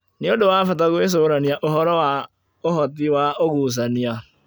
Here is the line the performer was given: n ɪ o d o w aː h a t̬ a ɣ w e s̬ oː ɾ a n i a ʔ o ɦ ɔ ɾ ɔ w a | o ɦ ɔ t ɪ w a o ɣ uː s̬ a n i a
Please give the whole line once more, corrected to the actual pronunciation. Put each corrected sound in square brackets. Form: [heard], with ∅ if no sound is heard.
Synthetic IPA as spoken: n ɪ o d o w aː [f] a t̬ a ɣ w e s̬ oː ɾ a n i a ʔ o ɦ ɔ ɾ ɔ w a | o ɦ ɔ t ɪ w a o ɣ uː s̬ a n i a